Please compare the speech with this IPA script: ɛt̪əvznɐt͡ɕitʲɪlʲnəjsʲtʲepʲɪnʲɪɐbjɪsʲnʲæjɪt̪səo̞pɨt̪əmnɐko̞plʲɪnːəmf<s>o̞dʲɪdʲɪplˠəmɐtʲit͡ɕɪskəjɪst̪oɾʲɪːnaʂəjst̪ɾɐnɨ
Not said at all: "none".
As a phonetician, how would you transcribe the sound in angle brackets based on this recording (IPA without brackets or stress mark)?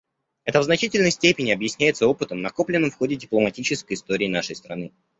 x